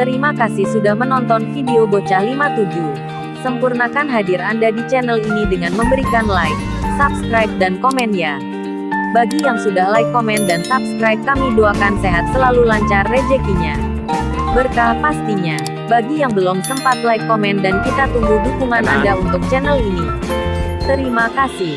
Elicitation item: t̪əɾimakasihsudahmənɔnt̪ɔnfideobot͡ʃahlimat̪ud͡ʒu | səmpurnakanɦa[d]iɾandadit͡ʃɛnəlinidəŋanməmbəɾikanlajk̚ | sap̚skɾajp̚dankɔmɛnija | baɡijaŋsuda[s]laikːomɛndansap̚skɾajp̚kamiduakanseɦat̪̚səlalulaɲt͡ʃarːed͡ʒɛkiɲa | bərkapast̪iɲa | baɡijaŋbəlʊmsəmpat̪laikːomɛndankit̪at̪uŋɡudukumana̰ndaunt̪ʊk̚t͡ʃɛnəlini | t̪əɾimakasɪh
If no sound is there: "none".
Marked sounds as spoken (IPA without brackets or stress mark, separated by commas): d, h